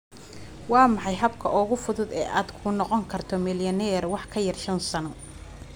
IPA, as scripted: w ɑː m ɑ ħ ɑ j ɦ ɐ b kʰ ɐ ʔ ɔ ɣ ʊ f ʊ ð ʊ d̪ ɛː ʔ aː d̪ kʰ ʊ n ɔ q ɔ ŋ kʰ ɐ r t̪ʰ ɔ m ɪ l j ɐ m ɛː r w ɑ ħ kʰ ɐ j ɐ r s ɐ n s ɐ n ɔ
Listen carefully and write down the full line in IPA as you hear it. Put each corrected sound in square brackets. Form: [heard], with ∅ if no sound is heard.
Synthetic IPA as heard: w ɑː m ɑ ħ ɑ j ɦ ɐ b kʰ ɐ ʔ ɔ ɣ ʊ f ʊ ð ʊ d̪ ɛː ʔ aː d̪ kʰ ʊ n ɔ q ɔ ŋ kʰ ɐ r t̪ʰ ɔ m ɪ l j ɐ [n] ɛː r w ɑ ħ kʰ ɐ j ɐ r [ʃ] ɐ n s ɐ n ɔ